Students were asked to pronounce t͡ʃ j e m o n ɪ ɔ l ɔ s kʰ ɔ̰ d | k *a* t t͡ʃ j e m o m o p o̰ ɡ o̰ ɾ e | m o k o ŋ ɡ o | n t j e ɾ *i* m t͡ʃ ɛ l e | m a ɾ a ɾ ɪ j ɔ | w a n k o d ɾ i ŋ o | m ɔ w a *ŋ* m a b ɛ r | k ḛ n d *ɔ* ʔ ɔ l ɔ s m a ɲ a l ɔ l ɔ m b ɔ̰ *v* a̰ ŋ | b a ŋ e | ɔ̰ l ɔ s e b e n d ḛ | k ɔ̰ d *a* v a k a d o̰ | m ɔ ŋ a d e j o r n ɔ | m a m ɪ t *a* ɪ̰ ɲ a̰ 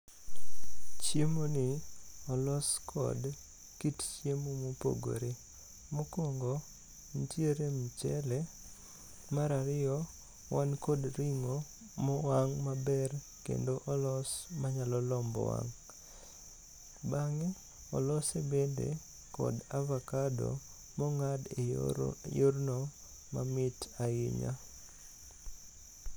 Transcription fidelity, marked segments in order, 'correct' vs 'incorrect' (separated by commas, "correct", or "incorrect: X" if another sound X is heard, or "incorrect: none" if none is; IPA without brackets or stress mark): incorrect: i, incorrect: e, correct, incorrect: o, incorrect: w, correct, correct